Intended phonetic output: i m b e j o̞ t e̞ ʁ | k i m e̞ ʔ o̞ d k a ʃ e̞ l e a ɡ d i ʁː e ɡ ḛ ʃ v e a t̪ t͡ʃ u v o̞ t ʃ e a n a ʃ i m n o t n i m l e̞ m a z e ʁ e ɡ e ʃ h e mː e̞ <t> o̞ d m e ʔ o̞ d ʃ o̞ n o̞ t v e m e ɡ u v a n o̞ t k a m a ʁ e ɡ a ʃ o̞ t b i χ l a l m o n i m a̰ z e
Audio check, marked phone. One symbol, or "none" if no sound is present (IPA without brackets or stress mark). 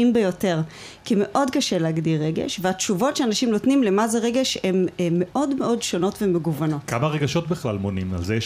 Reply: ʔ